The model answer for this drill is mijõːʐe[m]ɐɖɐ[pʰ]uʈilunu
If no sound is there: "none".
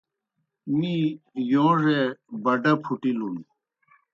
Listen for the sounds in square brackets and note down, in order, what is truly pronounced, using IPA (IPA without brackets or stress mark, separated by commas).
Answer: b, pʰ